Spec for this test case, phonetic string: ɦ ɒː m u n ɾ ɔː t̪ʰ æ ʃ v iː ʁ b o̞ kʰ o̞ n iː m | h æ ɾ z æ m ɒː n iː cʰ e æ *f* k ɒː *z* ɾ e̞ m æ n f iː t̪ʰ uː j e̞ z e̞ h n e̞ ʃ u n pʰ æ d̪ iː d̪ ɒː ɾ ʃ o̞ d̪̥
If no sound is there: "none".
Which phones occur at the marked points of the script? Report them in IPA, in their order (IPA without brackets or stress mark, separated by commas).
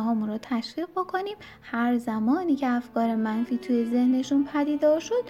f, none